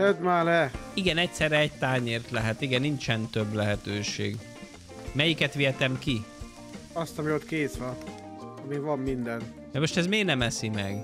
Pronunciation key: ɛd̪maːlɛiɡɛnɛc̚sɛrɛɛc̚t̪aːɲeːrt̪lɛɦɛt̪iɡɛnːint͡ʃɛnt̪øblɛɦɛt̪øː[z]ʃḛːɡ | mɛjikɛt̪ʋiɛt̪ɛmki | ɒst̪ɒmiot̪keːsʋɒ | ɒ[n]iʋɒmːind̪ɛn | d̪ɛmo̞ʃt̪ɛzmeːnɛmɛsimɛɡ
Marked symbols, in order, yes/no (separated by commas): no, no